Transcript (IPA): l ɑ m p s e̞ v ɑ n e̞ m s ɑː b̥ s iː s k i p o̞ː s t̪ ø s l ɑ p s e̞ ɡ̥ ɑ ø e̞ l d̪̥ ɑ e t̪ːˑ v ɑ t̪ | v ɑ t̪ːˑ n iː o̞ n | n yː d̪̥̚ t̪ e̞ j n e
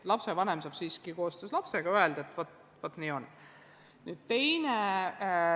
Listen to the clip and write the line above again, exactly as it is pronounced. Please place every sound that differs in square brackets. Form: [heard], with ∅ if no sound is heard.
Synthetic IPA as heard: l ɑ [∅] p s e̞ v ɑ n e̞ m s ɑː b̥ s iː s k i [k] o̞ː s t̪ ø s l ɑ p s e̞ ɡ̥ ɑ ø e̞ l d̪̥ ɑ e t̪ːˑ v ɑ t̪ | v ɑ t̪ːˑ n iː o̞ n | n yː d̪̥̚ t̪ e̞ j n e